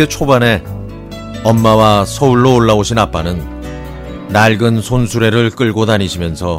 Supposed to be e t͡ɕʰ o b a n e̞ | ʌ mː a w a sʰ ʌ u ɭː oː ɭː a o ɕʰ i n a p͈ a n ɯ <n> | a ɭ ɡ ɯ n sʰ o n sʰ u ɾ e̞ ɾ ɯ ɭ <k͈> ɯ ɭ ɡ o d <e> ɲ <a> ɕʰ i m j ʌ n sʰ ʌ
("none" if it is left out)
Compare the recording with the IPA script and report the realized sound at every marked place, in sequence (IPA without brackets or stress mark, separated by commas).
nː, k͈, a, i